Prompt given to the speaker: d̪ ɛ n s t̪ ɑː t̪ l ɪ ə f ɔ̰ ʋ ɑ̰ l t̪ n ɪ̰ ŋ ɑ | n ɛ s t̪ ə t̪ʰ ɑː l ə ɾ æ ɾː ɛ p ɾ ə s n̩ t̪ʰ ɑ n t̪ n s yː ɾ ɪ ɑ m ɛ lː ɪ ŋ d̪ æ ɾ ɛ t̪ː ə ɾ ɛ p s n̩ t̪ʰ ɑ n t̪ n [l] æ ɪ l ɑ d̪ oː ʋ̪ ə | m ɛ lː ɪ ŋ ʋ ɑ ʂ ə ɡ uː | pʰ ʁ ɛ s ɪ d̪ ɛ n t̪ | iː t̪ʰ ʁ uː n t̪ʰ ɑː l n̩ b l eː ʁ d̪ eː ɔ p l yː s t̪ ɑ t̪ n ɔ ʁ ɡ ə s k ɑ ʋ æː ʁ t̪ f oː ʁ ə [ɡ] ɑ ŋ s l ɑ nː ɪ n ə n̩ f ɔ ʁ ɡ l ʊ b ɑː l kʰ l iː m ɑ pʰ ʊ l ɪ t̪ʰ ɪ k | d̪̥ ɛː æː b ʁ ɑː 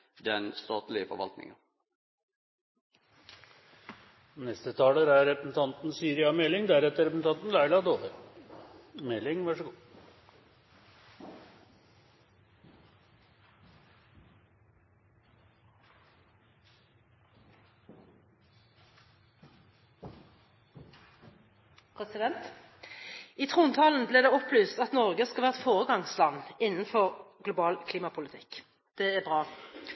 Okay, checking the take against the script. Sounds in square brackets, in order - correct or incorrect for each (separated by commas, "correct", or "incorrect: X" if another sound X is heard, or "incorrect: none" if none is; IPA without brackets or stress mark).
correct, correct